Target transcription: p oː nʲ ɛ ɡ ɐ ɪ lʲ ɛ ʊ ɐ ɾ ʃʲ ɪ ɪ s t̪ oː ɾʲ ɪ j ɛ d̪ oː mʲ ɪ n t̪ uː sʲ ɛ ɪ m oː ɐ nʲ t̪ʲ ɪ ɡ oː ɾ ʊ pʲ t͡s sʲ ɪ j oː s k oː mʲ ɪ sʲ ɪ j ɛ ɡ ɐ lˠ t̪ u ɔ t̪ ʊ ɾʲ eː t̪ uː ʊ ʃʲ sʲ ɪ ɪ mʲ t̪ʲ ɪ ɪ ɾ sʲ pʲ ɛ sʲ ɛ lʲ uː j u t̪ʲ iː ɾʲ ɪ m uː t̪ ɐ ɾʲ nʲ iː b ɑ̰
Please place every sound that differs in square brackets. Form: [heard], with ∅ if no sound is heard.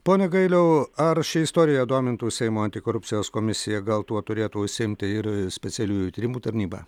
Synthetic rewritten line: p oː nʲ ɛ ɡ ɐ ɪ lʲ ɛ ʊ ɐ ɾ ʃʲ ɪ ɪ s t̪ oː ɾʲ ɪ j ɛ d̪ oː mʲ ɪ n t̪ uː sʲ ɛ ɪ m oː ɐ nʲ t̪ʲ ɪ [k] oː ɾ ʊ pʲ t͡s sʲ ɪ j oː s k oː mʲ ɪ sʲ ɪ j ɛ ɡ ɐ lˠ t̪ u ɔ t̪ ʊ ɾʲ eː t̪ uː ʊ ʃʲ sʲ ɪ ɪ mʲ t̪ʲ ɪ ɪ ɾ sʲ pʲ ɛ sʲ ɛ lʲ uː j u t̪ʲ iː ɾʲ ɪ m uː t̪ ɐ ɾʲ nʲ iː b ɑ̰